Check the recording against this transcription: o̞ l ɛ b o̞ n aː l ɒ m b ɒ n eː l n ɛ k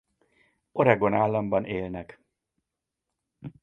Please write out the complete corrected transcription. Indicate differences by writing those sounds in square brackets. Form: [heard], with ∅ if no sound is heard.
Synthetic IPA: o̞ [ɾ] ɛ [ɡ] o̞ n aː [lː] ɒ m b ɒ n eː l n ɛ k

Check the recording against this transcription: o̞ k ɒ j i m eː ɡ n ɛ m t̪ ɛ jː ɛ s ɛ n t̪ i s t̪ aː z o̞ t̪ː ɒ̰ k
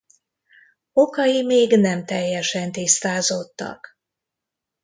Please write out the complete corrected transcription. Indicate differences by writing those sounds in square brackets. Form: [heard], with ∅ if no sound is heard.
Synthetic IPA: o̞ k ɒ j i m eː ɡ n ɛ m t̪ ɛ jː ɛ [ʃ] ɛ n t̪ i s t̪ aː z o̞ t̪ː ɒ̰ k

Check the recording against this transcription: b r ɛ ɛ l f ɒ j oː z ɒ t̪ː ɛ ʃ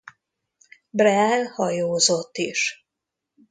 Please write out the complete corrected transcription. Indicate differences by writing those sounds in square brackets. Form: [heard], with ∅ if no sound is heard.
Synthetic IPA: b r ɛ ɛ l [h] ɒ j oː z [o] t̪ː [i] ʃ

